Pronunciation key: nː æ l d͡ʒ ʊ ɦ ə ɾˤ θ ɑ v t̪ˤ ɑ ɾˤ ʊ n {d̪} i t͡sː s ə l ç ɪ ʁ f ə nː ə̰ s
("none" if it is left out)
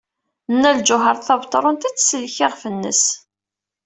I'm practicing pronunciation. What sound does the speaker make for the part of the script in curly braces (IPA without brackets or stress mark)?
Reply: t̪